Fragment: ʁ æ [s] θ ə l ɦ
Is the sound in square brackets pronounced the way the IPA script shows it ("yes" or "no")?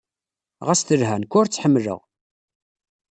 yes